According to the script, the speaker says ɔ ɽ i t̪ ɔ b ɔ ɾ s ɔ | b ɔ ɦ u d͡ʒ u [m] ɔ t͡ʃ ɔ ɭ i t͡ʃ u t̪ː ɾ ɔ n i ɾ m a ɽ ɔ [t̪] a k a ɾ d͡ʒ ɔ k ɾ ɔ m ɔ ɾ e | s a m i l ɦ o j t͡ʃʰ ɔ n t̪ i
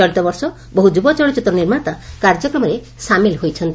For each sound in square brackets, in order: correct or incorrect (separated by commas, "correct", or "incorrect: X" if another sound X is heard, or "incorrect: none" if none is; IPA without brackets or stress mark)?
incorrect: b, correct